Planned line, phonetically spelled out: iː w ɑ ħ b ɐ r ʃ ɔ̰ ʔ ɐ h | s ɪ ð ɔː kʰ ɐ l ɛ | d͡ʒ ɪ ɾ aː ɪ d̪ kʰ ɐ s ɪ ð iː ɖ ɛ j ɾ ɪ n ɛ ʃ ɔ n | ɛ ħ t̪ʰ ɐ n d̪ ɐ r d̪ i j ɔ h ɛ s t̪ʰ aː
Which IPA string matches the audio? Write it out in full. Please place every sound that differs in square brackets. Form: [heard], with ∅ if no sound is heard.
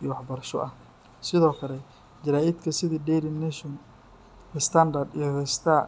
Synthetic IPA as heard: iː w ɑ ħ b ɐ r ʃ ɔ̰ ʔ ɐ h | s ɪ ð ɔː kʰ ɐ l ɛ | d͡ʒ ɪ ɾ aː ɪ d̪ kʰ ɐ s ɪ ð iː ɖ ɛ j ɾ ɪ n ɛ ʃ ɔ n | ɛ [s] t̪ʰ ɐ n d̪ ɐ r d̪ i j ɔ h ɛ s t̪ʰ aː